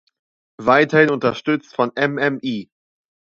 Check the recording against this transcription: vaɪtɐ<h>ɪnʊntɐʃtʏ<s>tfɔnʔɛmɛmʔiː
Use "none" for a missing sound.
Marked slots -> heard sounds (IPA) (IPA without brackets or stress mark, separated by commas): h, t͡s